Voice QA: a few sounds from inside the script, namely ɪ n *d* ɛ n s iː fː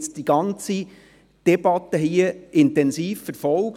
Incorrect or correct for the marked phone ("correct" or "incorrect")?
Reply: incorrect